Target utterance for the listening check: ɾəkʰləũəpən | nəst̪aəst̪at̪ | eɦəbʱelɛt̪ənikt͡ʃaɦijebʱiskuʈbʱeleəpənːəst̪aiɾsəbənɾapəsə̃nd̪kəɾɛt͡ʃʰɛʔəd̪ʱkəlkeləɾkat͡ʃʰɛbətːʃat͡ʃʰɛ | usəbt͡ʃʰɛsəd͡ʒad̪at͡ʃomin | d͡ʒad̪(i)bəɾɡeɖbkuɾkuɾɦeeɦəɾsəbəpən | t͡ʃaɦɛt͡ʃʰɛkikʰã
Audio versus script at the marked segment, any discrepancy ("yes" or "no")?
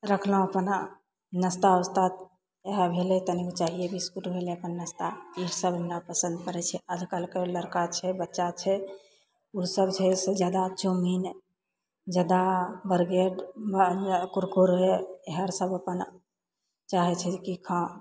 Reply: yes